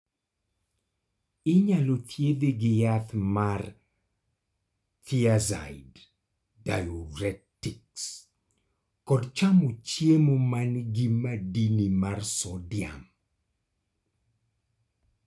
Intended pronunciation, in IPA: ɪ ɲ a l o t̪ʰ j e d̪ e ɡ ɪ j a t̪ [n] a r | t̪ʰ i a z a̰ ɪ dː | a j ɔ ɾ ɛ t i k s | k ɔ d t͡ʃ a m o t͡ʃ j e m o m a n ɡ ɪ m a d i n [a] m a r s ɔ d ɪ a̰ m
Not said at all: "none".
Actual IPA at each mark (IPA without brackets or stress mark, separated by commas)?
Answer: m, i